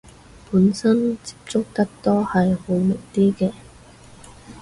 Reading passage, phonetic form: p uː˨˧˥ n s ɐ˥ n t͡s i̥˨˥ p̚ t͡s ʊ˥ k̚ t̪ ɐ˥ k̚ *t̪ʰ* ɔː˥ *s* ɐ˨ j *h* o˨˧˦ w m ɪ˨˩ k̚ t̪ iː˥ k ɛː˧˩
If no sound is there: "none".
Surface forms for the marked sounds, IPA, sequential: t̪, h, h

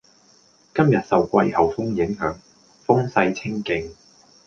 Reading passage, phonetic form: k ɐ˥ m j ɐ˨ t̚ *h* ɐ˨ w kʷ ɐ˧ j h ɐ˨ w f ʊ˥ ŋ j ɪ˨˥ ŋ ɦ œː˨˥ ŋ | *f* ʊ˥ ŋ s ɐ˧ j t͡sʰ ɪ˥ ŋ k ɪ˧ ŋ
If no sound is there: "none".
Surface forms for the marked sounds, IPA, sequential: s, f

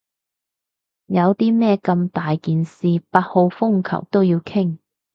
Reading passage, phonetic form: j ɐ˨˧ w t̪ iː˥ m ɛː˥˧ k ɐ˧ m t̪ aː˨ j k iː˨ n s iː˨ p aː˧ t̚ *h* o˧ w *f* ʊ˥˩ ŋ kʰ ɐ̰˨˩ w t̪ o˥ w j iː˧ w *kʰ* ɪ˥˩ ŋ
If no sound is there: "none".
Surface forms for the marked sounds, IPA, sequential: h, f, kʰ

